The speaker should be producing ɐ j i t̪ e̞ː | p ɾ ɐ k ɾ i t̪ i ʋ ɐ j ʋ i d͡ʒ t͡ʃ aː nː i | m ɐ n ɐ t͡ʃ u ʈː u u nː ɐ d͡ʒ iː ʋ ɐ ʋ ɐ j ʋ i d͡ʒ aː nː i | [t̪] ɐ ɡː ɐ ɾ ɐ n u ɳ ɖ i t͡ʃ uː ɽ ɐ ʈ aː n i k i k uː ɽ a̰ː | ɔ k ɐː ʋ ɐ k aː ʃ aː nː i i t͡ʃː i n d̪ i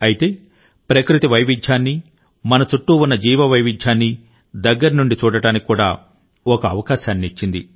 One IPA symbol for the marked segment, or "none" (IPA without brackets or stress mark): d̪